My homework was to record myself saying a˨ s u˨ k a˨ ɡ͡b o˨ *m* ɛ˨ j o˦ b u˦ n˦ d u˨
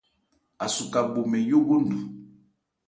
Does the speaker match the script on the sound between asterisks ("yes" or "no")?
yes